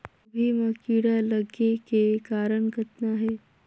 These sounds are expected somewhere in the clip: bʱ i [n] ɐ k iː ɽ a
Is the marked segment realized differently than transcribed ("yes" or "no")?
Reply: yes